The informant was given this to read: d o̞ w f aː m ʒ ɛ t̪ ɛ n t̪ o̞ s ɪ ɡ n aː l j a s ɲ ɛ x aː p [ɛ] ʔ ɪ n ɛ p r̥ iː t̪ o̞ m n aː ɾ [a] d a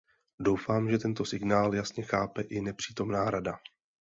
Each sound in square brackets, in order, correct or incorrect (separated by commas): correct, correct